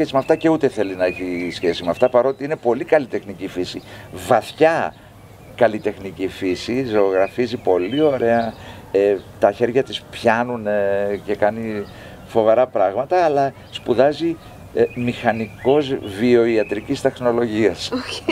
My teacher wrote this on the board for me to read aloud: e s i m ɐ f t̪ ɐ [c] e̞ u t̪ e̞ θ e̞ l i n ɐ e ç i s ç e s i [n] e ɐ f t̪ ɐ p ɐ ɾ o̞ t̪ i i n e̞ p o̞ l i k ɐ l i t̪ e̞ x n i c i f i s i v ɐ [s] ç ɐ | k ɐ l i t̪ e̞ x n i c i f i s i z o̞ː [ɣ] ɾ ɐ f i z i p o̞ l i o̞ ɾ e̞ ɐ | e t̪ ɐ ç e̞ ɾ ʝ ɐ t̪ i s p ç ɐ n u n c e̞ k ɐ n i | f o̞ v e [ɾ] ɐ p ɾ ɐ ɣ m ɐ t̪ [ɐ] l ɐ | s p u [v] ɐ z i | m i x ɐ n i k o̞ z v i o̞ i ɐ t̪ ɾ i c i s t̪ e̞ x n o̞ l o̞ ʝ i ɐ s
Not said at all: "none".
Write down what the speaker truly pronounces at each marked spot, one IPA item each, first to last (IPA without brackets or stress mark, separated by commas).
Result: c, m, θ, ɣ, ɾ, ɐː, ð